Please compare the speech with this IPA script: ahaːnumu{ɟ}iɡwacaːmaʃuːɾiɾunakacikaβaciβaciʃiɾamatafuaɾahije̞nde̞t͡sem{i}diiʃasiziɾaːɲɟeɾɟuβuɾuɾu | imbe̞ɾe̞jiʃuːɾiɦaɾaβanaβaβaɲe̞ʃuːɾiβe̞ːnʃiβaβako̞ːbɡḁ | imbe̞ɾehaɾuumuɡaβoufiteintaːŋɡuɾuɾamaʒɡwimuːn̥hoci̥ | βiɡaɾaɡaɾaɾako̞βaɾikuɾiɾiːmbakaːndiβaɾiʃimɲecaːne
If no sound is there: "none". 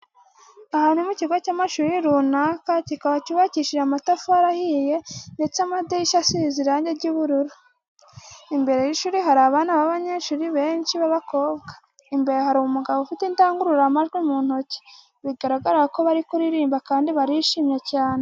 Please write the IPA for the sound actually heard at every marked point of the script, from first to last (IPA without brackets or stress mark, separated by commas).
c, a